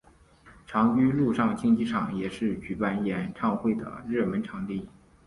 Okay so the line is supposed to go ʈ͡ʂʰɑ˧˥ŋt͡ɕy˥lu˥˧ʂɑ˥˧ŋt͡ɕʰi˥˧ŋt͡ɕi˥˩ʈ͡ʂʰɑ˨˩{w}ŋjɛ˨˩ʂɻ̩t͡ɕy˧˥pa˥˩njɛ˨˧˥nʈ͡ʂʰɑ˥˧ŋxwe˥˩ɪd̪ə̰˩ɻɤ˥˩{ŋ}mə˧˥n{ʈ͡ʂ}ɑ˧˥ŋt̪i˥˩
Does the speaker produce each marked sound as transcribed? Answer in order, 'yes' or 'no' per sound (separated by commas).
no, no, no